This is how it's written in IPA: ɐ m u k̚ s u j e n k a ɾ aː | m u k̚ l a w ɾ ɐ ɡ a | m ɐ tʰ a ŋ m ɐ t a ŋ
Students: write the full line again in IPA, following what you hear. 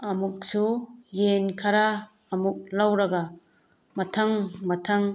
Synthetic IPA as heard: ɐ m u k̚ s u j e n kʰ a ɾ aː | m u k̚ l a w ɾ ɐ ɡ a | m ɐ tʰ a ŋ m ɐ tʰ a ŋ